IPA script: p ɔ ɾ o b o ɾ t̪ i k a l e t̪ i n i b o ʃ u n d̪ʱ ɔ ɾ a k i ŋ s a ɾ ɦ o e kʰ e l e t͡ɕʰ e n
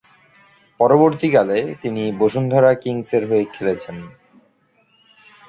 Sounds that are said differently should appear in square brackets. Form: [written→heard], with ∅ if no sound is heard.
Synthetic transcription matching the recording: p ɔ ɾ o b o ɾ t̪ i k a l e t̪ i n i b o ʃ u n d̪ʱ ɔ ɾ a k i ŋ s [a→e] ɾ ɦ o e kʰ e l e t͡ɕʰ e n